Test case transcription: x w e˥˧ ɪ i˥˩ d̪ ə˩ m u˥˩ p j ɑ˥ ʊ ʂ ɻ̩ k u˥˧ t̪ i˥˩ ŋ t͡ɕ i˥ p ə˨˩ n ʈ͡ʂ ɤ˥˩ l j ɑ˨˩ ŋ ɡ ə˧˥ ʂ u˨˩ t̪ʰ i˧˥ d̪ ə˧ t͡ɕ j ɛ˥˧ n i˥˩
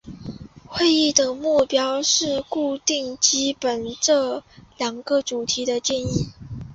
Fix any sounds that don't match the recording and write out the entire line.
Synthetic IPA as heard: x w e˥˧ ɪ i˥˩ d̪ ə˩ m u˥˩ p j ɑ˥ ʊ ʂ ɻ̩ k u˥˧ t̪ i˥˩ ŋ t͡ɕ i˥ p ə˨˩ n ʈ͡ʂ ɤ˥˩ l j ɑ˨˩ ŋ ɡ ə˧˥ ʈ͡ʂ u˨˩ t̪ʰ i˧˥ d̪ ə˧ t͡ɕ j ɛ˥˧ n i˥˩